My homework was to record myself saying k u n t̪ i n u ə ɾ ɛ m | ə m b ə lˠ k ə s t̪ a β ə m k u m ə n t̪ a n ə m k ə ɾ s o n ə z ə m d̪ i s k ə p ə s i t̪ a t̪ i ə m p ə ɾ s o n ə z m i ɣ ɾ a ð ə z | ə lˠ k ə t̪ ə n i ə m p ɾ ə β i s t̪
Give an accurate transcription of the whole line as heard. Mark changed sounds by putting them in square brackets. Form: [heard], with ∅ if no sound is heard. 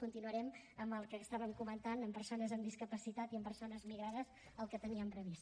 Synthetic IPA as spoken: k u n t̪ i n u ə ɾ ɛ m | ə m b ə lˠ k ə s t̪ a β ə m k u m ə n t̪ a n ə m [p] ə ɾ s o n ə z ə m d̪ i s k ə p ə s i t̪ a t̪ i ə m p ə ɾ s o n ə z m i ɣ ɾ a ð ə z | ə lˠ k ə t̪ ə n i ə m p ɾ ə β i s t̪